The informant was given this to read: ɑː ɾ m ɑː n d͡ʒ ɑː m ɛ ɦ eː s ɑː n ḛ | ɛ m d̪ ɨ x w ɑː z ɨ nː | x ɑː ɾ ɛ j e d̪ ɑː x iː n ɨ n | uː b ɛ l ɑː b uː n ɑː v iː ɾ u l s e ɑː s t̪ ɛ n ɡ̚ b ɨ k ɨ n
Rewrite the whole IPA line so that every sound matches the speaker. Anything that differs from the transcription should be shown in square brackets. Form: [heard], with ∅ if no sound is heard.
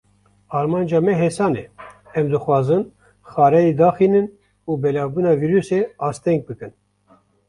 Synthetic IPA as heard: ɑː ɾ m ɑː n d͡ʒ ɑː m ɛ ɦ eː s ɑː n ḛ | ɛ m d̪ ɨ x w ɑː z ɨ [n] | x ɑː ɾ ɛ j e d̪ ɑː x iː n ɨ n | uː b ɛ l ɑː b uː n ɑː v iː ɾ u [∅] s e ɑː s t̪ ɛ [ŋ] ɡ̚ b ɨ k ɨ n